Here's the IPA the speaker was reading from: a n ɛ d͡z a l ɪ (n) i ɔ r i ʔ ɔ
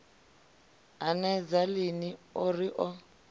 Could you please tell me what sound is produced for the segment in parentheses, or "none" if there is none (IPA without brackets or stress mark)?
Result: n